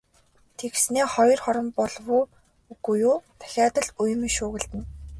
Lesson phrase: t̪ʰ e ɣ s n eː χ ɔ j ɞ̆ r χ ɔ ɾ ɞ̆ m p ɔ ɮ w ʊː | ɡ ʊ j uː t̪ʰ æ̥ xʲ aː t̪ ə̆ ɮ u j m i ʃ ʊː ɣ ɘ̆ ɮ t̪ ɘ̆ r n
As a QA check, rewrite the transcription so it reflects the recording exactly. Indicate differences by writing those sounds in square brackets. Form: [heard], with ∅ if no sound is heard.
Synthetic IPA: t̪ʰ e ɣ s n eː χ ɔ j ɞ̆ r χ ɔ ɾ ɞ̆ m p ɔ ɮ w ʊː | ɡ [u] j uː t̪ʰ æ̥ xʲ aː t̪ ə̆ ɮ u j m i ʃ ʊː ɣ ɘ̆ ɮ t̪ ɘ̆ [∅] n

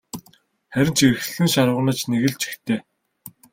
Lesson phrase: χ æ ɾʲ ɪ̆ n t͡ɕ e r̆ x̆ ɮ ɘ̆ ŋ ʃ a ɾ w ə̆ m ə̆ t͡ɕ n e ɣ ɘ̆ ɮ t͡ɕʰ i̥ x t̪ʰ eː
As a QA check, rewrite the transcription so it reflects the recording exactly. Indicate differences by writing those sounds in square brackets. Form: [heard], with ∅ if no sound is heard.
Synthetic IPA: χ æ ɾʲ ɪ̆ n t͡ɕ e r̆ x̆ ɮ ɘ̆ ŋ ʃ a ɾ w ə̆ [n] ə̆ t͡ɕ n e ɣ ɘ̆ ɮ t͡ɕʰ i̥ x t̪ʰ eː

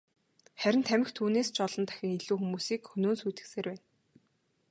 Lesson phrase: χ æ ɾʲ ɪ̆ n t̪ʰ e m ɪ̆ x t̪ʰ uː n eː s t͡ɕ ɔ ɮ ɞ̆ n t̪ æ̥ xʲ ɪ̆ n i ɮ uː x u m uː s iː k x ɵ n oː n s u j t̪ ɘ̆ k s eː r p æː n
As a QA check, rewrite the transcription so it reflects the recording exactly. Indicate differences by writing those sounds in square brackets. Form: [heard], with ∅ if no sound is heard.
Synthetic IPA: χ æ ɾʲ ɪ̆ n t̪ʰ [æ] m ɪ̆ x t̪ʰ uː n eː s t͡ɕ ɔ ɮ ɞ̆ n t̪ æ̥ xʲ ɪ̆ [ŋ] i ɮ uː x u m uː s iː k x ɵ n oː n s u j t̪ ɘ̆ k s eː r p æː n

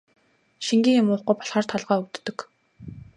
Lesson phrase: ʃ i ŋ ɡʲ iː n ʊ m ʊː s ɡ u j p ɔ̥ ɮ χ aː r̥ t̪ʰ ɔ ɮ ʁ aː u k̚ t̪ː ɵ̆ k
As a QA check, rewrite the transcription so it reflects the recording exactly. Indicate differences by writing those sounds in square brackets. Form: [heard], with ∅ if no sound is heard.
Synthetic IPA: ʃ i ŋ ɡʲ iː [ŋ] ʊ m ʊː [χ] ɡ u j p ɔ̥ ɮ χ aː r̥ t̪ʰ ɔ ɮ ʁ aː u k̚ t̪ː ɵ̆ k

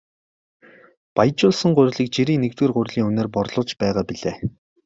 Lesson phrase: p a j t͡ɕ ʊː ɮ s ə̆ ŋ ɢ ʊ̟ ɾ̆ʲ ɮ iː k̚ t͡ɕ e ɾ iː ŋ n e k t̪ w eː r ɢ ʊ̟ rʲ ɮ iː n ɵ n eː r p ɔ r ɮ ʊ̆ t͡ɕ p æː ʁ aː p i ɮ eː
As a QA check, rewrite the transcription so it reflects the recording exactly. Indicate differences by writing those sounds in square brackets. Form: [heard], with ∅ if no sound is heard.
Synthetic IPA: p a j t͡ɕ ʊː ɮ s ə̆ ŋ ɢ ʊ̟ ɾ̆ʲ ɮ iː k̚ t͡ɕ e ɾ iː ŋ n e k t̪ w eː r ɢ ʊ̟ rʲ ɮ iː [ŋ] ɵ n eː r p ɔ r ɮ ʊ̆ t͡ɕ p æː ʁ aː p i ɮ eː

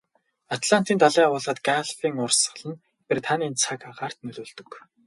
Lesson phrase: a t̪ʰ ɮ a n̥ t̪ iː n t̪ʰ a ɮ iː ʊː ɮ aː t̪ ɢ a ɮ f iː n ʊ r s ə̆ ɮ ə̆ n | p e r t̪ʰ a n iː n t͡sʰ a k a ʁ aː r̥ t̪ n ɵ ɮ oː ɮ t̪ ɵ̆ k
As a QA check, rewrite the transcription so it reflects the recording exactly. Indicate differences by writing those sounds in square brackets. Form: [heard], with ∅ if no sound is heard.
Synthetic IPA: a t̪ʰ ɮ a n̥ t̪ iː n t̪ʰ a ɮ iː ʊː ɮ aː t̪ [ɡ] a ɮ f iː [ŋ] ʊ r s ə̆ ɮ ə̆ n | p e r t̪ʰ a n iː n t͡sʰ a k a ʁ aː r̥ t̪ n ɵ ɮ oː ɮ t̪ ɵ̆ k

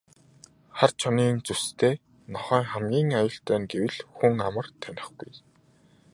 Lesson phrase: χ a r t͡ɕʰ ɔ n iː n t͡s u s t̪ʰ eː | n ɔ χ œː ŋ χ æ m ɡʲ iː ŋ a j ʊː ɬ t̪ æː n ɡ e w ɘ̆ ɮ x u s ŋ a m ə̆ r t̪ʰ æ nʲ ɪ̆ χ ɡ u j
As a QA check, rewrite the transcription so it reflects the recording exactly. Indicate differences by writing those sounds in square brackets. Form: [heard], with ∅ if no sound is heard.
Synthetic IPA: χ a r t͡ɕʰ ɔ n iː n t͡s u s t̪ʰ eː | n ɔ χ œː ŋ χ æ m ɡʲ iː ŋ a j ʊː ɬ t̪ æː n ɡ e w ɘ̆ ɮ x u [∅] ŋ a m ə̆ r t̪ʰ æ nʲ ɪ̆ χ ɡ u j

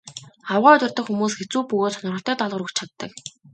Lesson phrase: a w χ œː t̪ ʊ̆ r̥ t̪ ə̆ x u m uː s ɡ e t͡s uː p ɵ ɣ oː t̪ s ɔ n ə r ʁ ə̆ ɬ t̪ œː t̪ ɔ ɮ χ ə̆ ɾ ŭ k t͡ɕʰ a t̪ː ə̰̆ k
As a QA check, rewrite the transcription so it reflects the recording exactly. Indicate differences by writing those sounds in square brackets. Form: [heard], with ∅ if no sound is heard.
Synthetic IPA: a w [ʁ] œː t̪ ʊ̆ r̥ t̪ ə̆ x u m uː s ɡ e t͡s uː p ɵ ɣ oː t̪ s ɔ n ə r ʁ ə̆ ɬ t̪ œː t̪ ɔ ɮ [ʁ] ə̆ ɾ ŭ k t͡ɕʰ a t̪ː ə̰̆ k

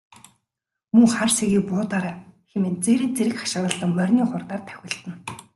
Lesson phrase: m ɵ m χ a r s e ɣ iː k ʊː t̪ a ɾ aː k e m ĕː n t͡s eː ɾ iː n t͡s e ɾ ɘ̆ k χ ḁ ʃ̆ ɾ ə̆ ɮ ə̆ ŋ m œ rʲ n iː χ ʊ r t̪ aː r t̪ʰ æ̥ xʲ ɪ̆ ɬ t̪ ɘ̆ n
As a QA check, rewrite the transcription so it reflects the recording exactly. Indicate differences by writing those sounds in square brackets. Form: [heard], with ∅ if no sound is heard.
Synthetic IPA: m ɵ [ŋ] χ a r s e ɣ iː [p] ʊː t̪ a ɾ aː [x] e m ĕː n t͡s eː ɾ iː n t͡s e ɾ ɘ̆ k χ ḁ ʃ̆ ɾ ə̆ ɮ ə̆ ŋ m œ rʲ n iː χ ʊ r t̪ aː r t̪ʰ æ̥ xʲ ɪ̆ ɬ t̪ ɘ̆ n

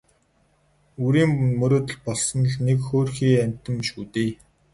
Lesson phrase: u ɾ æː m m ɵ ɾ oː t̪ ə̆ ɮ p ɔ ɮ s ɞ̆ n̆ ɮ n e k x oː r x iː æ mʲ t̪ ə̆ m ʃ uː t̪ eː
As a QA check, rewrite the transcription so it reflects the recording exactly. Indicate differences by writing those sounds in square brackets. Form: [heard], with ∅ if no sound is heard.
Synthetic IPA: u ɾ [iː] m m ɵ ɾ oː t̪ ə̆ ɮ p ɔ ɮ s ɞ̆ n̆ ɮ n e k x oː r x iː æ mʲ t̪ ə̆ m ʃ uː t̪ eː

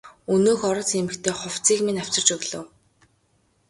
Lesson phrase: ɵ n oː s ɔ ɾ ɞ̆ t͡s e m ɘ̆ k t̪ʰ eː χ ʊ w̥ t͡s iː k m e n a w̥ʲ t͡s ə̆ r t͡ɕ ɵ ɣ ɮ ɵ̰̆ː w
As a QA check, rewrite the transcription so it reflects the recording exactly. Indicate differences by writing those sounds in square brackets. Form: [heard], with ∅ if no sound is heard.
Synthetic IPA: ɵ n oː [x] ɔ ɾ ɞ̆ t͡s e m ɘ̆ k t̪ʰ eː χ ʊ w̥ t͡s iː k m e n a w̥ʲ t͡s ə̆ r t͡ɕ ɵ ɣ ɮ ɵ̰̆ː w

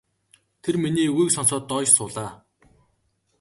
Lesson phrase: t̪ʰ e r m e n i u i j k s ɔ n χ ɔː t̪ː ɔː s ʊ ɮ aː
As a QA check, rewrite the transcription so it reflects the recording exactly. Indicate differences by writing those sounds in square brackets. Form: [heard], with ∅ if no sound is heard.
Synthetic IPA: t̪ʰ e r m [i] n [iː] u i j k s ɔ n [s] ɔː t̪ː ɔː s [ʊː] ɮ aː

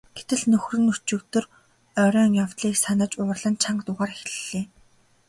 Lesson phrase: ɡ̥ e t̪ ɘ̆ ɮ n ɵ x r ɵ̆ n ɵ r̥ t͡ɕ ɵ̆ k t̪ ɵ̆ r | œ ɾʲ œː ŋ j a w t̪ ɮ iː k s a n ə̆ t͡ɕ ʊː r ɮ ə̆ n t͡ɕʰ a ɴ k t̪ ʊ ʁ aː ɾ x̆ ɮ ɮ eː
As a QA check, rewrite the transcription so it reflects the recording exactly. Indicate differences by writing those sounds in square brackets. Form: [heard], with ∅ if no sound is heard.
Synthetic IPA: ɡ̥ e t̪ ɘ̆ ɮ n ɵ x r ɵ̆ n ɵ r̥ t͡ɕ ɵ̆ k t̪ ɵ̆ r | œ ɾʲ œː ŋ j a w t̪ ɮ iː k s a n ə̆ t͡ɕ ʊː r ɮ ə̆ n t͡ɕʰ a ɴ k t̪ ʊ ʁ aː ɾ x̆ ɮ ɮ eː

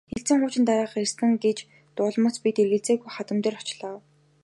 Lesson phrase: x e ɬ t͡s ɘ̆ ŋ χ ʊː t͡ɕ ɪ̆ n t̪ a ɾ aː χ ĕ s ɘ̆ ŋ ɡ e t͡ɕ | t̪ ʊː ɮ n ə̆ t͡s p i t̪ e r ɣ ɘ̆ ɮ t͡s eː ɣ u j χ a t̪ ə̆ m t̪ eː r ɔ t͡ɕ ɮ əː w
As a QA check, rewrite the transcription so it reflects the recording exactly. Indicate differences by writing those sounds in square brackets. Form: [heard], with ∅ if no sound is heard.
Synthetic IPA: x e ɬ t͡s ɘ̆ ŋ χ ʊː t͡ɕ ɪ̆ n t̪ a ɾ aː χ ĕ s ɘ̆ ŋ ɡ e t͡ɕ | t̪ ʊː ɮ [m] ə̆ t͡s p i t̪ e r ɣ ɘ̆ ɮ t͡s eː ɣ u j χ a t̪ ə̆ m t̪ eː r ɔ t͡ɕ ɮ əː w

